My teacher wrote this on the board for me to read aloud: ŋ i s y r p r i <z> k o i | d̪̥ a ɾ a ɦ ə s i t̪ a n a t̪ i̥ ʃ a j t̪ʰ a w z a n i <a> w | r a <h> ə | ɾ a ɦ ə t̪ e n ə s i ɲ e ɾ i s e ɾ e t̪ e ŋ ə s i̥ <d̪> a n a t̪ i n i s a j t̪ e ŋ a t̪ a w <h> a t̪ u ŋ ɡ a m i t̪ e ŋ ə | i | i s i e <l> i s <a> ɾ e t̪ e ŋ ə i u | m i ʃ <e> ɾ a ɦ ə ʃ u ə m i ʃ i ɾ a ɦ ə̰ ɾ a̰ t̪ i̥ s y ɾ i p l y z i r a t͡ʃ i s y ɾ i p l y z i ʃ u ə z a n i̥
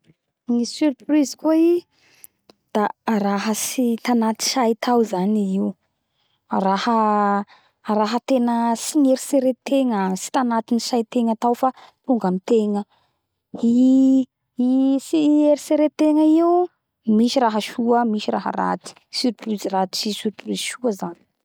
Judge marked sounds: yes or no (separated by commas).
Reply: yes, no, yes, no, no, no, no, no